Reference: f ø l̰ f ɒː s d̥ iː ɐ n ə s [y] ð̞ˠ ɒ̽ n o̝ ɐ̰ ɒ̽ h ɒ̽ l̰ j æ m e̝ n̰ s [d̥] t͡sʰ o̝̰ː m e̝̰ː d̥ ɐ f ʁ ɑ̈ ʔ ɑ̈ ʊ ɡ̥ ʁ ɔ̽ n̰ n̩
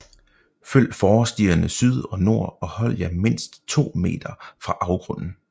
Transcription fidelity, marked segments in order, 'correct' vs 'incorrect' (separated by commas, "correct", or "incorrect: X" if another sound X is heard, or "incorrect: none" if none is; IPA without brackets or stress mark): correct, correct